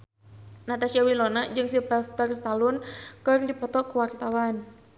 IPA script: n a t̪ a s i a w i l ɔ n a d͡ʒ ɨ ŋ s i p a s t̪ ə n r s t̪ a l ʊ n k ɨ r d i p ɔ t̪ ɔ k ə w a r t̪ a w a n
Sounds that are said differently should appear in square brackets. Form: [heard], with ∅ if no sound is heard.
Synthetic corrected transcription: n a t̪ a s i a w i l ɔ n a d͡ʒ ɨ ŋ s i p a s t̪ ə [∅] r s t̪ a l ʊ n k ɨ r d i p ɔ t̪ ɔ k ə w a r t̪ a w a n